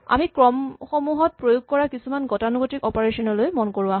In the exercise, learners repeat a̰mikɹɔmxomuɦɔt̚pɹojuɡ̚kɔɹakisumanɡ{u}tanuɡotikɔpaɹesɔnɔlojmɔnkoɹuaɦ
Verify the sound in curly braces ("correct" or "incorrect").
incorrect